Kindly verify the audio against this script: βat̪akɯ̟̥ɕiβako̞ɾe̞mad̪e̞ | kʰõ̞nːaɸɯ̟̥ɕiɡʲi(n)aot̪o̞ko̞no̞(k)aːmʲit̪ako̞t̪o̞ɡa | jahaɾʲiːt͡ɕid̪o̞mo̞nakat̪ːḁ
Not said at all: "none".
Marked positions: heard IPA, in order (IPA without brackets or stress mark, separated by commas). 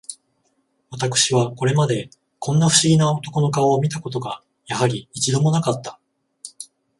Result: n, k